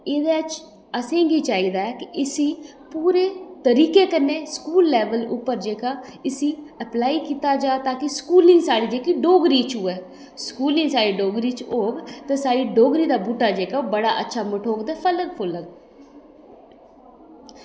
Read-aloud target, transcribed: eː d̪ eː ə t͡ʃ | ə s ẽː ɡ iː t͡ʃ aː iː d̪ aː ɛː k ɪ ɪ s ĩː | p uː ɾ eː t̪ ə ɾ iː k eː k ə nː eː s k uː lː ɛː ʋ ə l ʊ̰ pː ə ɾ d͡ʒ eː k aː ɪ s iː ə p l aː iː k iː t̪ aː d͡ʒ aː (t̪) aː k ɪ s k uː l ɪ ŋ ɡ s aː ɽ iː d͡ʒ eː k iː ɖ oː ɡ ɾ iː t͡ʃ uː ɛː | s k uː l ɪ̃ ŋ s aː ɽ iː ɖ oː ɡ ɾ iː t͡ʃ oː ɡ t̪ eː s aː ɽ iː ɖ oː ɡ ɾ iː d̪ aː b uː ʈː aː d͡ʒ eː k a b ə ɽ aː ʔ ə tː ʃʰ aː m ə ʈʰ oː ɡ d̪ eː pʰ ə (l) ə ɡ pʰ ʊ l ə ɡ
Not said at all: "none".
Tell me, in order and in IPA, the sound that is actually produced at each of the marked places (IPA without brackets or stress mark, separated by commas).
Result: t̪, l